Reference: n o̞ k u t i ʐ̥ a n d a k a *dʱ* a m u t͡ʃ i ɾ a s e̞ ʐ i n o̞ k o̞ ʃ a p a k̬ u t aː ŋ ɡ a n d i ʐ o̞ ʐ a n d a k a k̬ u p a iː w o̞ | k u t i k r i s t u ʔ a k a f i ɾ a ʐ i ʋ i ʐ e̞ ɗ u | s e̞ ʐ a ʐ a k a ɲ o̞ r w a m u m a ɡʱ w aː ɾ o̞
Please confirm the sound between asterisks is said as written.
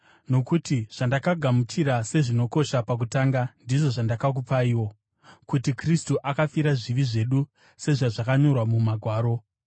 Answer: no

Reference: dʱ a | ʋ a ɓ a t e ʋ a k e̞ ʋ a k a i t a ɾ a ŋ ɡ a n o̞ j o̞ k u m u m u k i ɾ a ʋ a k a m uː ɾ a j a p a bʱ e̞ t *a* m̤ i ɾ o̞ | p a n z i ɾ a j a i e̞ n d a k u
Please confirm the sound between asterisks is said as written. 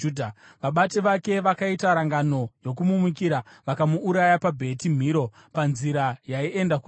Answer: no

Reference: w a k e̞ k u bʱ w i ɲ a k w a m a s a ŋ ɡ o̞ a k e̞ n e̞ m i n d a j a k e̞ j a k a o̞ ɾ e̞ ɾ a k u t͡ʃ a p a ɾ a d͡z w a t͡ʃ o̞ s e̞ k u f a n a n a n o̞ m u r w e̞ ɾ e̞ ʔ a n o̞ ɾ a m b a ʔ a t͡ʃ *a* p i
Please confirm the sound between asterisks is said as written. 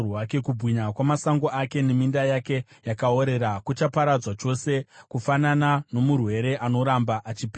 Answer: no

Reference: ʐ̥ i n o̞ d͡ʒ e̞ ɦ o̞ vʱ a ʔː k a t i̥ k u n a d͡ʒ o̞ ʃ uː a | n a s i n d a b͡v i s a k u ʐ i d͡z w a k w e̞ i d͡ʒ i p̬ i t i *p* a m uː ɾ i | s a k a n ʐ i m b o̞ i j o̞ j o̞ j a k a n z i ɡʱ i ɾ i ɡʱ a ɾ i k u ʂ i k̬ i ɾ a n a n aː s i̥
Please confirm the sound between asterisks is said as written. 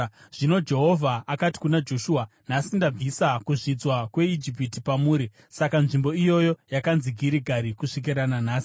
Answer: yes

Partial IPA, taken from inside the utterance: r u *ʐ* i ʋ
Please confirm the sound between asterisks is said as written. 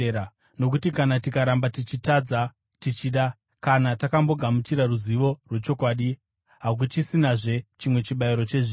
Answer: no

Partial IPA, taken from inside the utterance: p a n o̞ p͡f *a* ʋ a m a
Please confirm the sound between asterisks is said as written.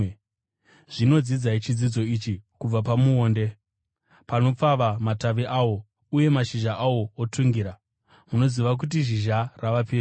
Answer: yes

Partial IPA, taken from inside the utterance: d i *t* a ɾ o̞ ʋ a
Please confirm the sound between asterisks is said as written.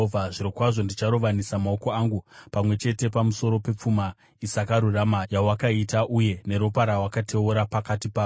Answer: no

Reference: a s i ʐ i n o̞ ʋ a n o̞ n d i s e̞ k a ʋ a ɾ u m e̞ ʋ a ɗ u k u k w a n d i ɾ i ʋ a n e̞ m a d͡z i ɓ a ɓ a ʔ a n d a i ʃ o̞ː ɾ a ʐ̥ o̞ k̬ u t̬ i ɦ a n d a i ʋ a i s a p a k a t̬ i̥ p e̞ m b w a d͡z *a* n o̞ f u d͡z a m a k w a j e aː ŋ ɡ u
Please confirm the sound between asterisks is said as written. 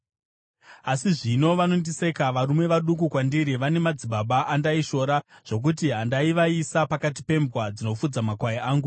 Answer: no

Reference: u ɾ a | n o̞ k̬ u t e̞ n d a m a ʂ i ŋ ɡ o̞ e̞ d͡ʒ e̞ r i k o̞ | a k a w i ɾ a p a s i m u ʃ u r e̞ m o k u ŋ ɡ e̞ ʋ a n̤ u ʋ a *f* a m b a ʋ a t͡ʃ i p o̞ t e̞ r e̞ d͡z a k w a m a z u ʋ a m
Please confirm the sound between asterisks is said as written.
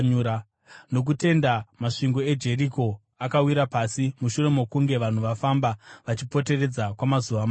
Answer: yes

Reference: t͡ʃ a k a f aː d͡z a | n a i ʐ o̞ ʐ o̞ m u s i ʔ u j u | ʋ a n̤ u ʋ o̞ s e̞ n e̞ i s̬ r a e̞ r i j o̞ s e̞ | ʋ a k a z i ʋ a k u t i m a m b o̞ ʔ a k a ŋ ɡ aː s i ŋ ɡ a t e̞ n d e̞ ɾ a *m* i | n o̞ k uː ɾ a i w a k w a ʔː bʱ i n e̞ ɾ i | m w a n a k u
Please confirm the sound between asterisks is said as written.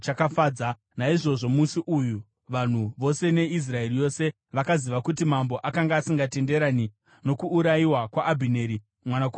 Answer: no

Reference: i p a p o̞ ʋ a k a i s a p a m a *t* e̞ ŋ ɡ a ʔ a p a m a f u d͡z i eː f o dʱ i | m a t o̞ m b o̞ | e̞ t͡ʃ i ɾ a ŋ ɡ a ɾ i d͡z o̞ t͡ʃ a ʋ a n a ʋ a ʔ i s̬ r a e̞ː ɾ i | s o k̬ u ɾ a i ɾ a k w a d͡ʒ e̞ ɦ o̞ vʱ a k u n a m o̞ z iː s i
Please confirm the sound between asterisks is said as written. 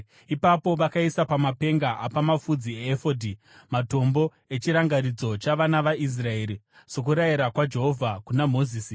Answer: no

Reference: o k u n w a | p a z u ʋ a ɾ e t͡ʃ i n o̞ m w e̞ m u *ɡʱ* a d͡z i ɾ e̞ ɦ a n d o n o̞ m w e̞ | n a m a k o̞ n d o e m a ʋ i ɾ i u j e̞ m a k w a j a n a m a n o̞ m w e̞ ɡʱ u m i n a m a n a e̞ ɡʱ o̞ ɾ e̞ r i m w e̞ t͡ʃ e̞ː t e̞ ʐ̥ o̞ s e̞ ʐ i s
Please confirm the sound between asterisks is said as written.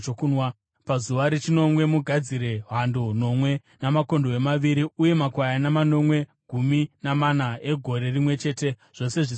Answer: yes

